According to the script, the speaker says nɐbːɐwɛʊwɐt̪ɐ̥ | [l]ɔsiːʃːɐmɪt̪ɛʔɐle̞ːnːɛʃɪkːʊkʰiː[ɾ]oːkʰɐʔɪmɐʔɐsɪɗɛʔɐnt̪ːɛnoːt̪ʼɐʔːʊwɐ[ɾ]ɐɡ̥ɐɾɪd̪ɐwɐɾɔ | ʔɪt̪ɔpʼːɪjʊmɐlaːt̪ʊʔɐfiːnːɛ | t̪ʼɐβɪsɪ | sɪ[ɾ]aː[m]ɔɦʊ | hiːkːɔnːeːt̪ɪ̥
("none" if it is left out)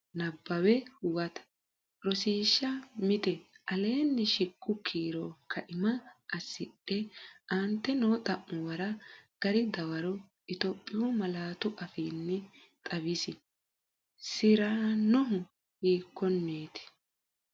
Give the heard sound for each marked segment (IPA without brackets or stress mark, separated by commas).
ɾ, ɾ, ɾ, ɾ, n